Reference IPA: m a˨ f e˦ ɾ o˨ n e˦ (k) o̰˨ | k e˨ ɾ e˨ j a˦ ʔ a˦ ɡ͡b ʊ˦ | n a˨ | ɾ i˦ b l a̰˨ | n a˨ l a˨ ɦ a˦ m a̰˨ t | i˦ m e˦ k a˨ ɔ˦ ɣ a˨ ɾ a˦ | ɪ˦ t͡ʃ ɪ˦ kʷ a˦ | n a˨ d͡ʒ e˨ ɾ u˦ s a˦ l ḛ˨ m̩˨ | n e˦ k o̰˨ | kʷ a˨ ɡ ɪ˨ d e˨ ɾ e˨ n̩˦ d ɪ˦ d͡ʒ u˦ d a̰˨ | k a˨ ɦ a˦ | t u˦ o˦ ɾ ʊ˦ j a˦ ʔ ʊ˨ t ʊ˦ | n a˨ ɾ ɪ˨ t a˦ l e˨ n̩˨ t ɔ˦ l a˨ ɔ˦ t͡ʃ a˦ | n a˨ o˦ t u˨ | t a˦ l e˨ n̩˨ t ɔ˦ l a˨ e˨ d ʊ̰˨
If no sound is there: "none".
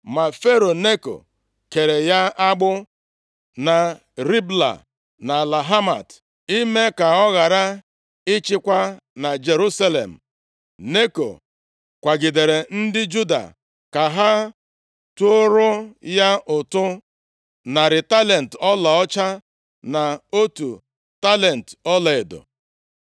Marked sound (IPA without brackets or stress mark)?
k